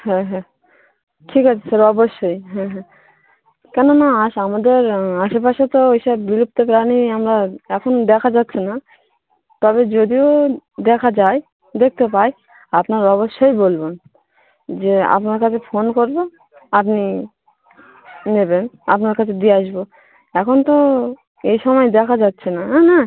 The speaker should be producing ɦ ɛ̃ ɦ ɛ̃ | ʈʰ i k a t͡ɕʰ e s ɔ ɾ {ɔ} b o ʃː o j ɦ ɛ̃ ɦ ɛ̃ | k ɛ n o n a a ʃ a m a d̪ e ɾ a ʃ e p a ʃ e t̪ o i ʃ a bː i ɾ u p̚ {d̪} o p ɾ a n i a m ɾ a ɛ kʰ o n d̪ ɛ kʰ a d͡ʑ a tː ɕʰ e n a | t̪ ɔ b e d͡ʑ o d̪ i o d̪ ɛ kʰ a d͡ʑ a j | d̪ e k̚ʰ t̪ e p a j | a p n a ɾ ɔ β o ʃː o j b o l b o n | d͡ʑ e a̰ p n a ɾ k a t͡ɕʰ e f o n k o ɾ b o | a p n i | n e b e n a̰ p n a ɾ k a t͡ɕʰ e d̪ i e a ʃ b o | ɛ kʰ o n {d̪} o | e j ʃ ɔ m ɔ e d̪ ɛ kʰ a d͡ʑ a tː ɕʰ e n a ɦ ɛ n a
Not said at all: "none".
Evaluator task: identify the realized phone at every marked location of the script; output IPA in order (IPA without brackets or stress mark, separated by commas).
ɔ, t̪, t̪